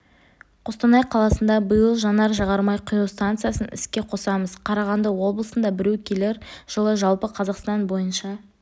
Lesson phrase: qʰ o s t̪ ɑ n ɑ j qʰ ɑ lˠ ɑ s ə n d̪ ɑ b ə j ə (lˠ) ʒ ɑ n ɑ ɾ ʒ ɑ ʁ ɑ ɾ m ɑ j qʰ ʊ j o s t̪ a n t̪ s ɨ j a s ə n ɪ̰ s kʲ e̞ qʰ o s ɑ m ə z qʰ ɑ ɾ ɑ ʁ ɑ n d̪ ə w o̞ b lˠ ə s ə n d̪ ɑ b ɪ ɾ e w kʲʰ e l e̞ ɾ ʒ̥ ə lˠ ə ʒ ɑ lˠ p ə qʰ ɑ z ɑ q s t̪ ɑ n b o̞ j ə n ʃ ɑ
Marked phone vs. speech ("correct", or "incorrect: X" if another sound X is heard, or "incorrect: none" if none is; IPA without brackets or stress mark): correct